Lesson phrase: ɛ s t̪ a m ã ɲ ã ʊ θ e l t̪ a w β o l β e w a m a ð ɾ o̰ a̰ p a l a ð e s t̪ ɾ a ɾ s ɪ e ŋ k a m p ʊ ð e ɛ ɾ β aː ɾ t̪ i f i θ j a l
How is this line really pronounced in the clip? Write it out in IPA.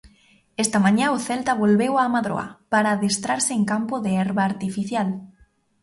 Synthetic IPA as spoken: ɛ s t̪ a m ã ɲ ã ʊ θ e l t̪ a β o l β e w a m a ð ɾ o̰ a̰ p a ɾ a ð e s t̪ ɾ a ɾ s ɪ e ŋ k a m p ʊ ð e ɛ ɾ β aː ɾ t̪ i f i θ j a l